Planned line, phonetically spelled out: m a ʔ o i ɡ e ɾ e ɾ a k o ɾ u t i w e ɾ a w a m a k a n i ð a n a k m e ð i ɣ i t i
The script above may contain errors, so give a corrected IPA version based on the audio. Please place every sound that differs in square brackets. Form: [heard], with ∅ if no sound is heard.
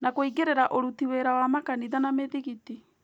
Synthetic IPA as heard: [n] a [k] o i ɡ e ɾ e ɾ a [ʔ] o ɾ u t i w e ɾ a w a m a k a n i ð a n a [∅] m e ð i ɣ i t i